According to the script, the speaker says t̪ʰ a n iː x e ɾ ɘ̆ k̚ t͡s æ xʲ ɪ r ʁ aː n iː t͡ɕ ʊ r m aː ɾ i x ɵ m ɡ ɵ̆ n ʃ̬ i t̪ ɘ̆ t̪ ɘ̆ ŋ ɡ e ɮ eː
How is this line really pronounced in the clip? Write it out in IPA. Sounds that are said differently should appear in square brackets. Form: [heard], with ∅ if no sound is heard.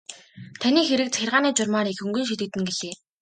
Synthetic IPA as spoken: t̪ʰ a n iː x e ɾ ɘ̆ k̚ t͡s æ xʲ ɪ r ʁ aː n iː t͡ɕ ʊ r m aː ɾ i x ɵ [ŋ] ɡ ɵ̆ n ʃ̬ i t̪ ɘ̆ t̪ ɘ̆ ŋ ɡ e ɮ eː